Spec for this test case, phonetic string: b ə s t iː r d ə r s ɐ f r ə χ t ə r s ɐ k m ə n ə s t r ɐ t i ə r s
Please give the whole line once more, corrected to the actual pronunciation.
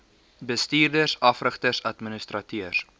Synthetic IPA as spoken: b ə s t iː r d ə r s ɐ f r ə χ t ə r s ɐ t m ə n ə s t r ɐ t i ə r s